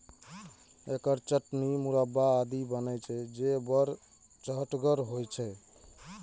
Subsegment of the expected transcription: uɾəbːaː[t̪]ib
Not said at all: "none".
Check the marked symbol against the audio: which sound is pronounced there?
d̪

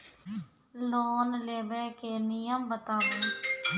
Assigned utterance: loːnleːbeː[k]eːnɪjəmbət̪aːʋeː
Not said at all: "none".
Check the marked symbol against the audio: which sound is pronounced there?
k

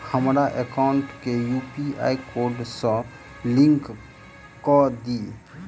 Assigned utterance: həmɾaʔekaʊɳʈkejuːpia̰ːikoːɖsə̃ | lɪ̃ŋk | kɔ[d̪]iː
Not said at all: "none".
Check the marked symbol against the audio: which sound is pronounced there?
d̪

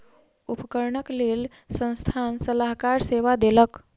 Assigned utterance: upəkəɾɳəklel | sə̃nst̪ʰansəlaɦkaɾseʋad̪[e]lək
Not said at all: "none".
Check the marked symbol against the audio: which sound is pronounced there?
e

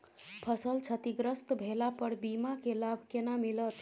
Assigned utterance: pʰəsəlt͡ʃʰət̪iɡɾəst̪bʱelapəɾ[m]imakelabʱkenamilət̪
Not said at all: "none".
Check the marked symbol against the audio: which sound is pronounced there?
b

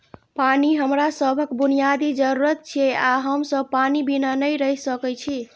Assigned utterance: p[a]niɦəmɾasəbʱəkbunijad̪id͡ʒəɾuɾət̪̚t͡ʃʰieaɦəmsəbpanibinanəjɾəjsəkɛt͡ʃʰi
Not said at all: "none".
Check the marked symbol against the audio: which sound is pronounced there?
a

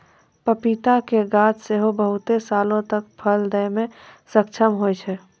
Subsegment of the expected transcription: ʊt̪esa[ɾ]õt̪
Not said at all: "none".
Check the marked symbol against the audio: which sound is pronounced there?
l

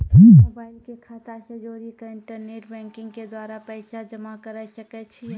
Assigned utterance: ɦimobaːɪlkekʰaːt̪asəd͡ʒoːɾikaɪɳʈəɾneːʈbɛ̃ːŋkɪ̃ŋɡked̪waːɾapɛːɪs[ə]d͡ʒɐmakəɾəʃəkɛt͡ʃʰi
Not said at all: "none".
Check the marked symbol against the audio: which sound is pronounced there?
a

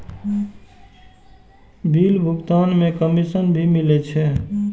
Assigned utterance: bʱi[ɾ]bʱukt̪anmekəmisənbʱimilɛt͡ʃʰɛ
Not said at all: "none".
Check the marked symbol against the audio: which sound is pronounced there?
l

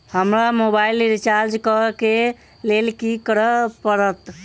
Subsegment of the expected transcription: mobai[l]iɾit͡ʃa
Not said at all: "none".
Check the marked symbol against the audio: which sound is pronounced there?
l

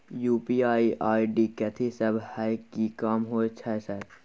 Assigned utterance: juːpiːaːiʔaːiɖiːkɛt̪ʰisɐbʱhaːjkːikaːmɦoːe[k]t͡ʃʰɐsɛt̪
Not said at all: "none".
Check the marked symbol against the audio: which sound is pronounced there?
none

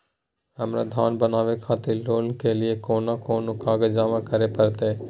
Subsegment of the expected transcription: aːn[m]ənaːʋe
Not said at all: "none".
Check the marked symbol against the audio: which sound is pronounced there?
b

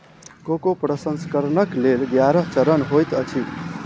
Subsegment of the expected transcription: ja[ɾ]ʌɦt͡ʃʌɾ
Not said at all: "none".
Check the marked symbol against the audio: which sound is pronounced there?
ɾ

